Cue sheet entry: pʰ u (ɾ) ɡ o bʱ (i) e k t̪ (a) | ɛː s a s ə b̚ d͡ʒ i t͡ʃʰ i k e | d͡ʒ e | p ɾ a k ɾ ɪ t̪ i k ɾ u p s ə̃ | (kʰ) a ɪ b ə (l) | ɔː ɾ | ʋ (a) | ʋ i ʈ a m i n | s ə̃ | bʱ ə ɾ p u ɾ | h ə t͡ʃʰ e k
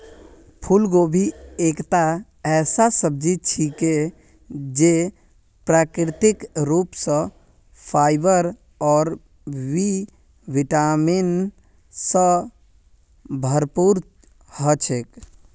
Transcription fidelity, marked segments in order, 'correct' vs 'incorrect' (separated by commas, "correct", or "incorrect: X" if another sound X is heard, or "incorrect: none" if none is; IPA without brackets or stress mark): incorrect: l, correct, correct, incorrect: pʰ, incorrect: ɾ, incorrect: i